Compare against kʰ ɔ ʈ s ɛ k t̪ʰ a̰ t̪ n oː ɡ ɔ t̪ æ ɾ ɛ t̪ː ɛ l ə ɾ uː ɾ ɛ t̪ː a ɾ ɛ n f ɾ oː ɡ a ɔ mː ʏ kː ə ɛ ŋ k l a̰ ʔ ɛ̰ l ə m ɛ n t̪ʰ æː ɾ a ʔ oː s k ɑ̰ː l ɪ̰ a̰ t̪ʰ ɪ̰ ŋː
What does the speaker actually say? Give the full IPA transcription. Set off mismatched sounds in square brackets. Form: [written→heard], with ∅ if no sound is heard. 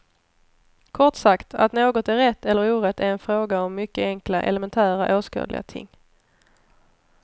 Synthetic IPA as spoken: kʰ ɔ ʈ s [ɛ→a] k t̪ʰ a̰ t̪ n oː ɡ ɔ t̪ æ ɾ ɛ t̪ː ɛ [l→lː] ə ɾ uː ɾ ɛ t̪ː [a→æ] ɾ ɛ n f ɾ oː ɡ a ɔ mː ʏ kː ə ɛ ŋ k l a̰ ʔ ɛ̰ l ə m ɛ n t̪ʰ æː ɾ a ʔ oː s k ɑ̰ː l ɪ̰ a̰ t̪ʰ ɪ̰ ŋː